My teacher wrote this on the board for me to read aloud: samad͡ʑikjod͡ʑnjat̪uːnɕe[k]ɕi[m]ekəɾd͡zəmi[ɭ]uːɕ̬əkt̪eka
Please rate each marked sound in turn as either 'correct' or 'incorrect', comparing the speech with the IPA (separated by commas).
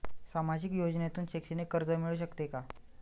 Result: correct, incorrect, correct